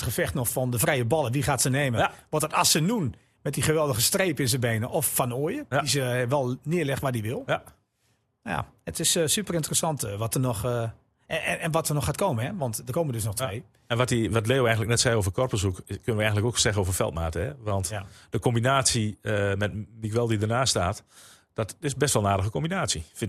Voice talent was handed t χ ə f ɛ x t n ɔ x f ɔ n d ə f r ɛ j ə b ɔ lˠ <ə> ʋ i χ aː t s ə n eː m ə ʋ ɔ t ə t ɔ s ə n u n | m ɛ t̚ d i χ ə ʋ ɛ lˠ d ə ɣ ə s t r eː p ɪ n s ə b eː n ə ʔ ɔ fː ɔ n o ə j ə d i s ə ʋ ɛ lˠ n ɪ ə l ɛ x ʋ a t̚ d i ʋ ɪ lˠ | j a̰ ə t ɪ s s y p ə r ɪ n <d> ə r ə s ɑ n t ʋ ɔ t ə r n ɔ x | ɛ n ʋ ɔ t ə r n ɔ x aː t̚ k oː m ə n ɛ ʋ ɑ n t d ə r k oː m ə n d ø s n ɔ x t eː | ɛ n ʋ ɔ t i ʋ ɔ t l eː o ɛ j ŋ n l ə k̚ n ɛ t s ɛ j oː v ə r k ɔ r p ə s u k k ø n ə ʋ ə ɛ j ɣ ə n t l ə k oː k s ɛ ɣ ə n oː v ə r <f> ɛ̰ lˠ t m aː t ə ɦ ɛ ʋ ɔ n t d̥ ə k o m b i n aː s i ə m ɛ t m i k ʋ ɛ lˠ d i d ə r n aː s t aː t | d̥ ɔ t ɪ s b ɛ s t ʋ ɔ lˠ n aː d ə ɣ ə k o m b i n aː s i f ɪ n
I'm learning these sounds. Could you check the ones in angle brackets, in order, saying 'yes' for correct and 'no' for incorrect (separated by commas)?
yes, no, yes